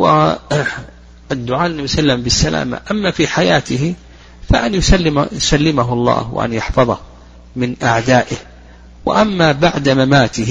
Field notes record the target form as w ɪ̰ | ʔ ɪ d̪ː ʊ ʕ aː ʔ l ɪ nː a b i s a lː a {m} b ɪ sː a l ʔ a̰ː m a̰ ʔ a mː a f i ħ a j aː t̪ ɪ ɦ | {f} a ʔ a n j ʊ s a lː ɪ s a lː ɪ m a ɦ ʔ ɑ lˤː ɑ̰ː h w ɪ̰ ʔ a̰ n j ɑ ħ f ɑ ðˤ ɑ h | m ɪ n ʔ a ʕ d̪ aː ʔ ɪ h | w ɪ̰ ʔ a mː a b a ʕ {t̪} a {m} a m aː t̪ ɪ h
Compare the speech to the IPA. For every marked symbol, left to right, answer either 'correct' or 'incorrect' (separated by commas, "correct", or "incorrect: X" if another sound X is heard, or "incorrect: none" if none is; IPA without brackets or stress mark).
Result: correct, correct, incorrect: d̪, correct